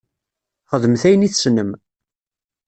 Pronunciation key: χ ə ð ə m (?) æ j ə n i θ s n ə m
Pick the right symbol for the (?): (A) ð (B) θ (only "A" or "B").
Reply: B